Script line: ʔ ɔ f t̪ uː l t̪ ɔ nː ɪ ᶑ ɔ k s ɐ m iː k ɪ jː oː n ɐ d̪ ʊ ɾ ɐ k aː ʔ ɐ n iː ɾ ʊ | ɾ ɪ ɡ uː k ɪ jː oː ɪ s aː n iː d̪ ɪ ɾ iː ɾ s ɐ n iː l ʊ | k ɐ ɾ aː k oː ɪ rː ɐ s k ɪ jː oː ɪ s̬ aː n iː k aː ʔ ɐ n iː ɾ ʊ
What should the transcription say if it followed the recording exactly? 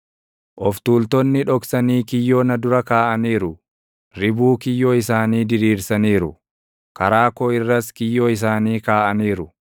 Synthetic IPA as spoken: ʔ ɔ f t̪ uː l t̪ ɔ nː ɪ ᶑ ɔ k s ɐ n iː k ɪ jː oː n ɐ d̪ ʊ ɾ ɐ k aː ʔ ɐ n iː ɾ ʊ | ɾ ɪ b uː k ɪ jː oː ɪ s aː n iː d̪ ɪ ɾ iː ɾ s ɐ n iː ɾ ʊ | k ɐ ɾ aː k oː ɪ rː ɐ s k ɪ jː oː ɪ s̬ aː n iː k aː ʔ ɐ n iː ɾ ʊ